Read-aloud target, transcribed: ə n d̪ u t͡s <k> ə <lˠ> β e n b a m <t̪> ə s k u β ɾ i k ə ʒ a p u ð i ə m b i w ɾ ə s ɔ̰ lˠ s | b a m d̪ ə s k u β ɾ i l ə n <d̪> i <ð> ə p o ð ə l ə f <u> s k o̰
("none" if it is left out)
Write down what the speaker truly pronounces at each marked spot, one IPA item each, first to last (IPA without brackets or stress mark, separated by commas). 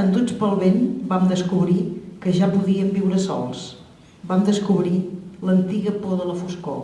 p, lˠ, d̪, t̪, ɣ, u